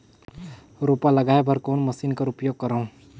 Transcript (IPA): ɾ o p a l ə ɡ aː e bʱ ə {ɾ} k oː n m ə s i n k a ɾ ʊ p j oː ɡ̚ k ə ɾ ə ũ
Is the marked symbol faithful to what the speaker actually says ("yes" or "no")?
yes